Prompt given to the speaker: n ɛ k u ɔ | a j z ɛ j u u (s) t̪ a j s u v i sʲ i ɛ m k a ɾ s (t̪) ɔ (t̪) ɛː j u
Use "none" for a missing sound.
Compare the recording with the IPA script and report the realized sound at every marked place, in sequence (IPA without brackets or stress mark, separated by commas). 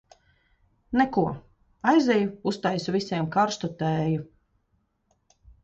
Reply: s, t̪, t̪